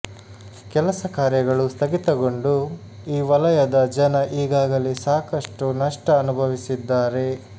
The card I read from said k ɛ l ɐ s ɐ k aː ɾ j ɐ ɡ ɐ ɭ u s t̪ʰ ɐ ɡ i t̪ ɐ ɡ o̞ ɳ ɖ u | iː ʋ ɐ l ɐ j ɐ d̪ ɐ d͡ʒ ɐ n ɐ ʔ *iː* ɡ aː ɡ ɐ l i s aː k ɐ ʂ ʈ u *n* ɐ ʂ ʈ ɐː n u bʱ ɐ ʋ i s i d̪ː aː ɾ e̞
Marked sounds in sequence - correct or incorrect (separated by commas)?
correct, correct